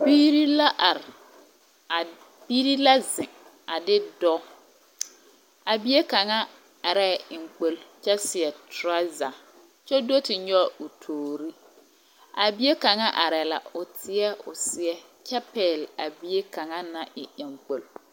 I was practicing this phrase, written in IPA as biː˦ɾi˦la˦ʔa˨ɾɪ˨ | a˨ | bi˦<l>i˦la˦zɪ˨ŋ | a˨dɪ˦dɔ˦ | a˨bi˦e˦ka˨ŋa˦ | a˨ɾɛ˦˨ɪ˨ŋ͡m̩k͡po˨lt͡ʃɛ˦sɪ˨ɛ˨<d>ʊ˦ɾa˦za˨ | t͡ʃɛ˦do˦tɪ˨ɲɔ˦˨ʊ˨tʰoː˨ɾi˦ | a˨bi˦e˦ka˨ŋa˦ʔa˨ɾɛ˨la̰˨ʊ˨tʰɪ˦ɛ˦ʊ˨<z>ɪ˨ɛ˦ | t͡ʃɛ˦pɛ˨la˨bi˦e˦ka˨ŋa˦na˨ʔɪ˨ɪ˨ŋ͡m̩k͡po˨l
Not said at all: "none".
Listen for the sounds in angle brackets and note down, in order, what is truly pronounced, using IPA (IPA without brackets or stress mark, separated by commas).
ɾ, t, s